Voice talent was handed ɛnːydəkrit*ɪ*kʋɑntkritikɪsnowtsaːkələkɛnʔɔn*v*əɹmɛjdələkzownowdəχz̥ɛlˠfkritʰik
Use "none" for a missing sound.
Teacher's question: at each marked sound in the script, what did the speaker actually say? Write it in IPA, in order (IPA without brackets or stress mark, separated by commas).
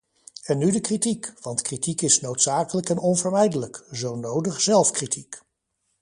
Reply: i, v